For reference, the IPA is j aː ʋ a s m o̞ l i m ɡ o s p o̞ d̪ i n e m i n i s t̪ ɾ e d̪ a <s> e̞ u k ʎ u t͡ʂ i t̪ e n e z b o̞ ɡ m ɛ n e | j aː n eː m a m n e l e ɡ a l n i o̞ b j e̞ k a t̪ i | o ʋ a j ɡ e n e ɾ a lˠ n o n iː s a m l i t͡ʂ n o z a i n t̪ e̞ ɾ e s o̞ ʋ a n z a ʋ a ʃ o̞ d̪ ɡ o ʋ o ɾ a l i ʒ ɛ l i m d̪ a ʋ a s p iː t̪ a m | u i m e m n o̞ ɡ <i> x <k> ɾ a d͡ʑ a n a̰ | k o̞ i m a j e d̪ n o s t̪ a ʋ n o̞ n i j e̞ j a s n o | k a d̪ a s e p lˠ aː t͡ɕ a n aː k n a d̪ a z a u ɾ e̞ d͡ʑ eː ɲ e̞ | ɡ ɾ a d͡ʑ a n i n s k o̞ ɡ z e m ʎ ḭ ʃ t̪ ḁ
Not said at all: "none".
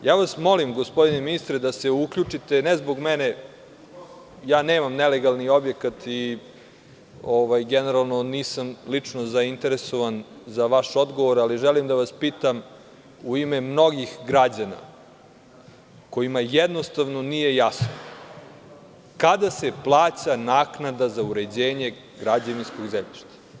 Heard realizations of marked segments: s, i, ɡ

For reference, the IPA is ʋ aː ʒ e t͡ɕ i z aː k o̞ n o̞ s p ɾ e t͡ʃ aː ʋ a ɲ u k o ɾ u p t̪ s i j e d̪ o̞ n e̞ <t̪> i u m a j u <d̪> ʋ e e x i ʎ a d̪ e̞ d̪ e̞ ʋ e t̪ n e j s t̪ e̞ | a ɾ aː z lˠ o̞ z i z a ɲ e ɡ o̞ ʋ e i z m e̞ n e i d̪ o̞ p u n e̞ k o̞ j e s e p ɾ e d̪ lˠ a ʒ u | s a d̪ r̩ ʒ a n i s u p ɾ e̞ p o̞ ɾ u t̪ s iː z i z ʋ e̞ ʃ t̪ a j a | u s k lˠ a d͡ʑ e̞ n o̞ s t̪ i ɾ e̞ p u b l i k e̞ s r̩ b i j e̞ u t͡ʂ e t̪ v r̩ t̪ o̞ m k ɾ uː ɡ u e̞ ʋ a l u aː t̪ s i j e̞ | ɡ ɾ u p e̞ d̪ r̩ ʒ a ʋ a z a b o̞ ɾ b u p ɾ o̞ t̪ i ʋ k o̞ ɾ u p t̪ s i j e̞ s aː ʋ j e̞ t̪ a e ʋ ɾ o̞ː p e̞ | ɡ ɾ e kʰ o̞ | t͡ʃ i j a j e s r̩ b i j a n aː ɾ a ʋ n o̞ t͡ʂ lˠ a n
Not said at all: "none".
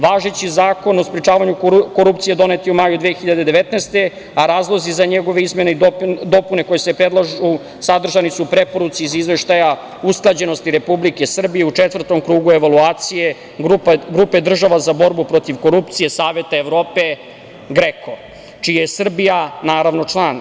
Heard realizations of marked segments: t̪, d̪

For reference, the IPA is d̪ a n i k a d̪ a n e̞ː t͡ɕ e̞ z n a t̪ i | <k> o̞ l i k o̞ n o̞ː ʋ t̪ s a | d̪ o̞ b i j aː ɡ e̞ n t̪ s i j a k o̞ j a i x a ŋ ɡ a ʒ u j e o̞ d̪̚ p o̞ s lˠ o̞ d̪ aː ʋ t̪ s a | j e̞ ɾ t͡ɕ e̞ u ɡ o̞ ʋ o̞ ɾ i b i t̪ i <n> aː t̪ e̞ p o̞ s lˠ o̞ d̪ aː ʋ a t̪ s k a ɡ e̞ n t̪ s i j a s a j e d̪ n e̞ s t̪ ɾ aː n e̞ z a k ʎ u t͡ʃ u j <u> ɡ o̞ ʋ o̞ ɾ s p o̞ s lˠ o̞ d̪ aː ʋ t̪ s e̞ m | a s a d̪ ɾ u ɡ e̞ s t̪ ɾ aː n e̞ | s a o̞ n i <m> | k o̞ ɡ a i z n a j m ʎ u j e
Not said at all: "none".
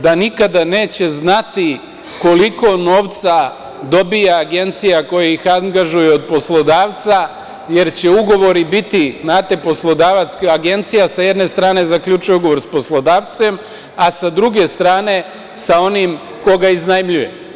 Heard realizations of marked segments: k, n, u, m

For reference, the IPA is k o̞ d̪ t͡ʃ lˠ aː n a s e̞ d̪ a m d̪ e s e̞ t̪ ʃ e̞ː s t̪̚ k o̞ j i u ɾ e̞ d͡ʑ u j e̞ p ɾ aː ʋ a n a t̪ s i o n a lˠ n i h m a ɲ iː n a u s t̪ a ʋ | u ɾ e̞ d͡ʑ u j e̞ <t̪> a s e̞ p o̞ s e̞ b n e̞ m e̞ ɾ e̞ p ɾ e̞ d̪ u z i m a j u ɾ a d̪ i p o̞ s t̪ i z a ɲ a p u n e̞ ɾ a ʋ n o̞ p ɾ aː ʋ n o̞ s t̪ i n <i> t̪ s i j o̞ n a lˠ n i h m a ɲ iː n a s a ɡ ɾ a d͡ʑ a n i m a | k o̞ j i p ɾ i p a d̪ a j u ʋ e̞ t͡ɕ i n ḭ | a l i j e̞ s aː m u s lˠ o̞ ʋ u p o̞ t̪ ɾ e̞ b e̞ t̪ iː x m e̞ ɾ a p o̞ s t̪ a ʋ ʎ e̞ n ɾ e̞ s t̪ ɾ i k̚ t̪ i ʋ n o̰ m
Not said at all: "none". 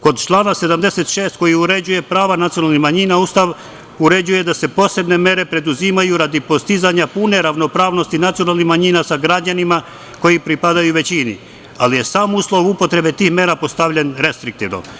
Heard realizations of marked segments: d̪, a

